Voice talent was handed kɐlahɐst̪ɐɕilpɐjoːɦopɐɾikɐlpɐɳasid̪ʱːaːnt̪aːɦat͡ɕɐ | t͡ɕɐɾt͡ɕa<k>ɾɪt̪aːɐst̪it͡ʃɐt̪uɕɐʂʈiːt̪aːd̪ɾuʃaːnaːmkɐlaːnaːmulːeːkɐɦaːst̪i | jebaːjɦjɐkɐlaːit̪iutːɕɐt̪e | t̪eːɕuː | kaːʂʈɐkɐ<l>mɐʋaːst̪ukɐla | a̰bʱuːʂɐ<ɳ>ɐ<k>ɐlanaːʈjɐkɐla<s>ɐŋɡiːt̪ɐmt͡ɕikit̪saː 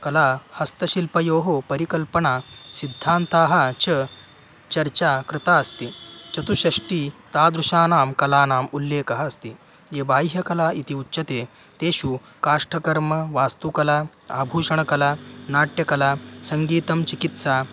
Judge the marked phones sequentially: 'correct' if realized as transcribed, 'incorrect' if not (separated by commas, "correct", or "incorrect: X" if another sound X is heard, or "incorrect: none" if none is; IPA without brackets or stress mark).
correct, incorrect: ɾ, correct, correct, correct